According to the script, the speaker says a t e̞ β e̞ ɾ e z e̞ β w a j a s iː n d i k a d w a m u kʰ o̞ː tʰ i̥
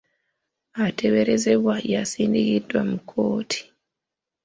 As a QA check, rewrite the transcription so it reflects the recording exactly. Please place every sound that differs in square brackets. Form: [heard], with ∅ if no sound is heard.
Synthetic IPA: a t e̞ β e̞ ɾ e z e̞ β w a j a s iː n d i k [i] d w a m u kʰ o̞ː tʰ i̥